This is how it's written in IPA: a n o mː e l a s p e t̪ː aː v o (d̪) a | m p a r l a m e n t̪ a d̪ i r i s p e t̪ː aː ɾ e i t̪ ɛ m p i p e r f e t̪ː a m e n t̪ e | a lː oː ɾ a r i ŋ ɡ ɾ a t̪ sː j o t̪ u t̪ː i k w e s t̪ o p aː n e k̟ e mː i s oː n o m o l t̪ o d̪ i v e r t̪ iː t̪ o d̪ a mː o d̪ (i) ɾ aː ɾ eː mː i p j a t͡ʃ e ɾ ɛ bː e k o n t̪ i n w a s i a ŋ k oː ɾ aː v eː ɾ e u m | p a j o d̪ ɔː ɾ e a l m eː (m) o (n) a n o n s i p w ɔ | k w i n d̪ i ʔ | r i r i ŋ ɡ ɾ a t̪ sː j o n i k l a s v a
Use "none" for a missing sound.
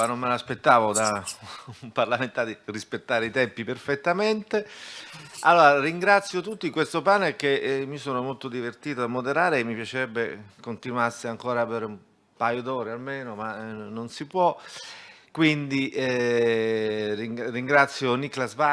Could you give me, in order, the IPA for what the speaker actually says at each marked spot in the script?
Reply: d̪, e, n, m

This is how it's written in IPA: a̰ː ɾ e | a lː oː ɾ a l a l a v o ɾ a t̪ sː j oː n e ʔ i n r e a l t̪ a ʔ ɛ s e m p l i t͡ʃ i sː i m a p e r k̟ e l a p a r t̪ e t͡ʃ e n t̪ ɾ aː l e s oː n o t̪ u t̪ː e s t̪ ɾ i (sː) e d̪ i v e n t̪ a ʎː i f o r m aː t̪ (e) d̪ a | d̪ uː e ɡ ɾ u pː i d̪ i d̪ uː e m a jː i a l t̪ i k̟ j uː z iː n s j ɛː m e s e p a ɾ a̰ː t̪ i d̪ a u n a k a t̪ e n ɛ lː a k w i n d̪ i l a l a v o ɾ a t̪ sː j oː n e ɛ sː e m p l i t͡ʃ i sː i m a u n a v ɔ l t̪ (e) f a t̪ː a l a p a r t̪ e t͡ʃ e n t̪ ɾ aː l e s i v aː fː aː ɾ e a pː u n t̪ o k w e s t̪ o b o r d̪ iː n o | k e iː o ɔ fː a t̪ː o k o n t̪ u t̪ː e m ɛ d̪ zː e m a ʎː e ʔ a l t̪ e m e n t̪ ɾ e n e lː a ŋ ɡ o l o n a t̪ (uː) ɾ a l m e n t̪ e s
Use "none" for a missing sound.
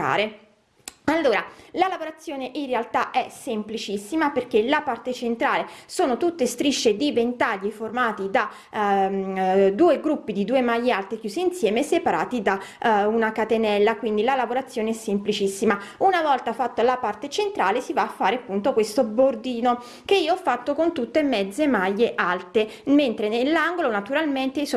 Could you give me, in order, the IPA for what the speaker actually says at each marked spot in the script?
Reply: ʃː, i, a, u

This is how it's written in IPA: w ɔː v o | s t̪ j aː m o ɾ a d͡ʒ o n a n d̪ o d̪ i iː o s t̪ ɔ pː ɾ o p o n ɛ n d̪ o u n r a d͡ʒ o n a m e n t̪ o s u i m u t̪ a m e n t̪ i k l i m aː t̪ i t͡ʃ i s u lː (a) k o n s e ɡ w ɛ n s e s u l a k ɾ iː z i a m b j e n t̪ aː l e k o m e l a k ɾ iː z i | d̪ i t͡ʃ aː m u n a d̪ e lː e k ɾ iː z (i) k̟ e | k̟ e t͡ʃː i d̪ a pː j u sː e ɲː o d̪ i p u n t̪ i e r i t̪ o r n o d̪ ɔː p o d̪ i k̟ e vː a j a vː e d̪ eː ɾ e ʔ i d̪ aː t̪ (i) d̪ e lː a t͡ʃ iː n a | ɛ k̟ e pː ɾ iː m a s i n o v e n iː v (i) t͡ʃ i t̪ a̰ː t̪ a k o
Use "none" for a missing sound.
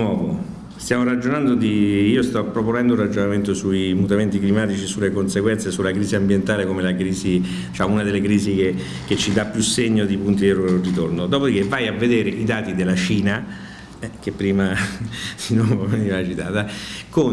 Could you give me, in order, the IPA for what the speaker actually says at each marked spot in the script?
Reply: e, i, i, a

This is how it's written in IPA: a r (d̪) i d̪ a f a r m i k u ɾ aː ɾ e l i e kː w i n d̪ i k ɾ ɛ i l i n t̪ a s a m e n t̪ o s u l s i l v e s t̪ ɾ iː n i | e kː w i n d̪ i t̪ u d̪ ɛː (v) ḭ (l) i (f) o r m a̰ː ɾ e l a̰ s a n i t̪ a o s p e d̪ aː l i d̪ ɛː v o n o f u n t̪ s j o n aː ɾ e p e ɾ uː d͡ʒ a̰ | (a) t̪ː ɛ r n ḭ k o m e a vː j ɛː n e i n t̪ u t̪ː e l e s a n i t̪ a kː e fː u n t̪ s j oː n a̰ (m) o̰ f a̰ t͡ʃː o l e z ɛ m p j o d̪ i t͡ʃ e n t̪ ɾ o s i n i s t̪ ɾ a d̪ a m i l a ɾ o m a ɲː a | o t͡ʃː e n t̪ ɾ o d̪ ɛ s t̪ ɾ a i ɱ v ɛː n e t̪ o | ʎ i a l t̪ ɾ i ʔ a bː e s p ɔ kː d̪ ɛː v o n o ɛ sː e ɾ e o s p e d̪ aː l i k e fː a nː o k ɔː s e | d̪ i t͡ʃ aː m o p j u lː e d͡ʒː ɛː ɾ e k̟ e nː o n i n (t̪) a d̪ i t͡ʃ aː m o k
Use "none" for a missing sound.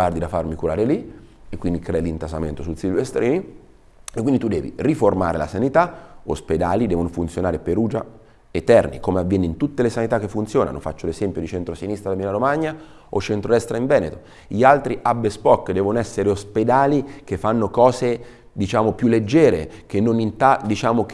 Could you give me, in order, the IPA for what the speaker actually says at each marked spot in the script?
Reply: d̪, v, r, f, e, n, t̪

